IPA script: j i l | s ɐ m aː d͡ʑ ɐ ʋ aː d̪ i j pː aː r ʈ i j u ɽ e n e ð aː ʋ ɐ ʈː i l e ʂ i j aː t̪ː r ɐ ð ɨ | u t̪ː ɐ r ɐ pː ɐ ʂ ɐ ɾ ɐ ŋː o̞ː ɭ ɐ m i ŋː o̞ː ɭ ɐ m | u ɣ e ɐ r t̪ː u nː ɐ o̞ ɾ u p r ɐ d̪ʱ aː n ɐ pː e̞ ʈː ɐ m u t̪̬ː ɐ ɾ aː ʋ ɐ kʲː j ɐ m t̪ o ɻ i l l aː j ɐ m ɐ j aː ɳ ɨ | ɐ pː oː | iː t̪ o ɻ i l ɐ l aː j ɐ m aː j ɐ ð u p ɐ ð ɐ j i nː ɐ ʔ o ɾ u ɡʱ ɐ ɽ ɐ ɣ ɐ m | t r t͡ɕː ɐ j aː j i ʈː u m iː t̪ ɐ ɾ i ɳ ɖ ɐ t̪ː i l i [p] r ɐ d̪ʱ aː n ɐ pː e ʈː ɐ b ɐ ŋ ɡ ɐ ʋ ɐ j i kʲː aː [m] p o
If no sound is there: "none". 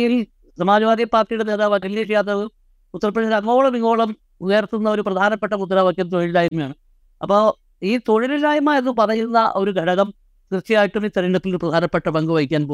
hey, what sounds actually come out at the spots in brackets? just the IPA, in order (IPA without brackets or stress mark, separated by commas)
p, n